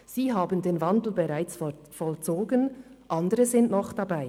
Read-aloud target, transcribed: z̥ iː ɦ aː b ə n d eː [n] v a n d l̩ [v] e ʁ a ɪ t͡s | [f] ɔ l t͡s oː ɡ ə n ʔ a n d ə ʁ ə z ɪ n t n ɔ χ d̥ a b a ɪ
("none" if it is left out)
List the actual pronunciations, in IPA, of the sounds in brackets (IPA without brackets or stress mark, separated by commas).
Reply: n, b, f